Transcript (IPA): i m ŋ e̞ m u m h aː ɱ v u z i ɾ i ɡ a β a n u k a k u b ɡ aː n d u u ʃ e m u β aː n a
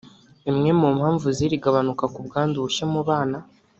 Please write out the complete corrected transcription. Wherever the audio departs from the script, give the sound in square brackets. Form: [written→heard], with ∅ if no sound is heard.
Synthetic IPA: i m ŋ e̞ m u m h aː ɱ v u z i ɾ i ɡ a β a n u k a k u b ɡ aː n d u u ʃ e m u β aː n a